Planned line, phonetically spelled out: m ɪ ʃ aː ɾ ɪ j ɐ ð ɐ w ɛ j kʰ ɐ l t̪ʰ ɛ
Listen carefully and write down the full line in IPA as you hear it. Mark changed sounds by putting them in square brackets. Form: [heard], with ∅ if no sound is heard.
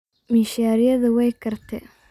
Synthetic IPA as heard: m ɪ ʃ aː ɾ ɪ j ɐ ð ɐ w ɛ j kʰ ɐ [r] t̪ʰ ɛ